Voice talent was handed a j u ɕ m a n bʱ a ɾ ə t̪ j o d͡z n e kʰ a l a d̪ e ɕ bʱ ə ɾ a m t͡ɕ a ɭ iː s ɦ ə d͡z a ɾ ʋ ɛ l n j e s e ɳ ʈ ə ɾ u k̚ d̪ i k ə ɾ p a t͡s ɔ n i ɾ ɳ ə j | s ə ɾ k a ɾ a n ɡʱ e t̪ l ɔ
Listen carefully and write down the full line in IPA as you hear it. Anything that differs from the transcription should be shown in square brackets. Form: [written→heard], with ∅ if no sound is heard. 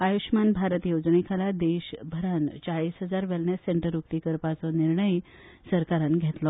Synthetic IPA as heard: a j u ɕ m a n bʱ a ɾ ə t̪ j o d͡z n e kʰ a l a d̪ e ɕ bʱ ə ɾ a [m→n] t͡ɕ a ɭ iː s ɦ ə d͡z a ɾ ʋ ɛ l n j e s e ɳ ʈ ə ɾ u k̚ [d̪→t̪] i k ə ɾ p a t͡s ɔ n i ɾ ɳ ə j | s ə ɾ k a ɾ a n ɡʱ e t̪ l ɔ